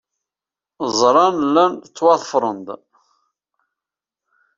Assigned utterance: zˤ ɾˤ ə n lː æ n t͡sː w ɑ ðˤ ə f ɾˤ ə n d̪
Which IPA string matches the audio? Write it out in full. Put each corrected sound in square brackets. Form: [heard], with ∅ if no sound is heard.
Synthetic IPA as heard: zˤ ɾˤ [ɑ] n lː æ n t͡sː w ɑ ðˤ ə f ɾˤ ə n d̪